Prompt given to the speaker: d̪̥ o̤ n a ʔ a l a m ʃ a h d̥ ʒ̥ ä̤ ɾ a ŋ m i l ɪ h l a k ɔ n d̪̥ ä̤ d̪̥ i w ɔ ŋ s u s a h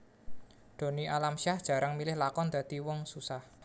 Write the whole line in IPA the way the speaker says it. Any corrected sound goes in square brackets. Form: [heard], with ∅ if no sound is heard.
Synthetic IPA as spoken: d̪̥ o̤ n [i] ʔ a l a m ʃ a h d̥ ʒ̥ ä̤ ɾ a ŋ m i l ɪ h l a k ɔ n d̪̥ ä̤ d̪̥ i w ɔ ŋ s u s a h